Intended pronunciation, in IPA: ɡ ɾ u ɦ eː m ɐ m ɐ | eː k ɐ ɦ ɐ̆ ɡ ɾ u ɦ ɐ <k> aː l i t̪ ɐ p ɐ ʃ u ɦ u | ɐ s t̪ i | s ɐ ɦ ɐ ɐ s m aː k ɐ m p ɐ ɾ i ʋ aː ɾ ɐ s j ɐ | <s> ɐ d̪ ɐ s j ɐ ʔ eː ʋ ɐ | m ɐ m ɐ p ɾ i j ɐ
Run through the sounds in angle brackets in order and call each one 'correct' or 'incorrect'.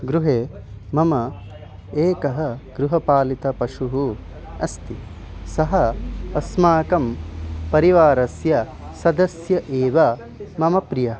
incorrect: p, correct

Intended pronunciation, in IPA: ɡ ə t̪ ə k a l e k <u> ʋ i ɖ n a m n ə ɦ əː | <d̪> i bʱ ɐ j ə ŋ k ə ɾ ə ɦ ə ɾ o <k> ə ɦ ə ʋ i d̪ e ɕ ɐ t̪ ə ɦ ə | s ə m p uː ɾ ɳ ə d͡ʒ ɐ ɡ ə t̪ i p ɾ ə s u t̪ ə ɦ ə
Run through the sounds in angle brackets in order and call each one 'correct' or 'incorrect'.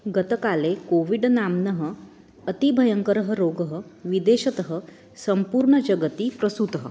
incorrect: o, incorrect: t̪, incorrect: ɡ

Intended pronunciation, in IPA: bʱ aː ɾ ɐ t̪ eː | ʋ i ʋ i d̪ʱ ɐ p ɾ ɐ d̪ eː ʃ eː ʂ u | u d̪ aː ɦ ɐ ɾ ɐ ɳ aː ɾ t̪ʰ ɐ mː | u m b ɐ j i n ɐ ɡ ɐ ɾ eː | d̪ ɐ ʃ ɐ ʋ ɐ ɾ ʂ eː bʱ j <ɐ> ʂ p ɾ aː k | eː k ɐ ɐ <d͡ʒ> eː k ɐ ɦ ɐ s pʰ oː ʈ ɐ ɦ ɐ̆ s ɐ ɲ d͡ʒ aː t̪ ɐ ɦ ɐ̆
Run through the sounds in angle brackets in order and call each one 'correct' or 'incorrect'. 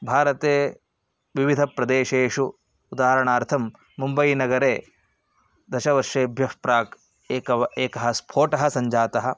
correct, incorrect: none

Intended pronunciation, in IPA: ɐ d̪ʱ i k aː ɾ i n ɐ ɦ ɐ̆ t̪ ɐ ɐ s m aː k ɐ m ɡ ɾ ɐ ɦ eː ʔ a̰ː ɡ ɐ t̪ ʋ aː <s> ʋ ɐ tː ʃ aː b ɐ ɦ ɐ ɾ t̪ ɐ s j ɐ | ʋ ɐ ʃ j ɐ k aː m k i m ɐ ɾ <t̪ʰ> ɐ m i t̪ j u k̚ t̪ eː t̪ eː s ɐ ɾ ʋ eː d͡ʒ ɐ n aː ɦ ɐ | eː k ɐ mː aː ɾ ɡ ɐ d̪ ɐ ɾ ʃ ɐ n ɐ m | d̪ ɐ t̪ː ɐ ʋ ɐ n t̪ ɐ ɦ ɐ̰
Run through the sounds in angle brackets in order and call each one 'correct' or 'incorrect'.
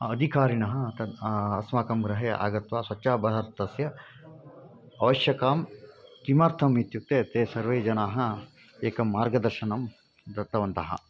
correct, correct

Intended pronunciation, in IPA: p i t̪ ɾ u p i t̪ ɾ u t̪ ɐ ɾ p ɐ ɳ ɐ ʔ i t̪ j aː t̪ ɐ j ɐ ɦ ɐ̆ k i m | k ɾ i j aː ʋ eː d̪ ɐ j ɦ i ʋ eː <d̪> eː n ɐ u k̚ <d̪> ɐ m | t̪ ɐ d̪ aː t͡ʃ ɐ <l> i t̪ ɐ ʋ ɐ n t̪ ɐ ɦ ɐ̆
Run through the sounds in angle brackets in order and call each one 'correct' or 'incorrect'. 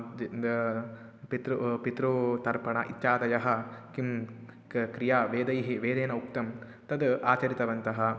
correct, incorrect: t̪, incorrect: ɾ

